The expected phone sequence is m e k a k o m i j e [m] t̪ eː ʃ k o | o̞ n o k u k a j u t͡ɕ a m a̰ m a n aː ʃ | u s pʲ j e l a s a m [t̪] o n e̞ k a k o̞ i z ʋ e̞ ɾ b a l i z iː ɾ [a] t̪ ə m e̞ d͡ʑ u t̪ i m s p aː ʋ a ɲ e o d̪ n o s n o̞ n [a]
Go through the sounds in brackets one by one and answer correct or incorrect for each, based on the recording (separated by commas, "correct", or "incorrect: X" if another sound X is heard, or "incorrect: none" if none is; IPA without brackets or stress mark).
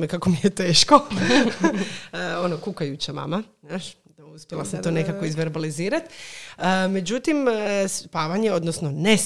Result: incorrect: none, correct, correct, incorrect: e